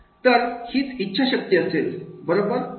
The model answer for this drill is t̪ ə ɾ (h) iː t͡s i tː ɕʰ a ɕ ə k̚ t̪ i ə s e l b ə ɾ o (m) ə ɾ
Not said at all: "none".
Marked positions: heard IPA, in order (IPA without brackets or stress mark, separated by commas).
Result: h, b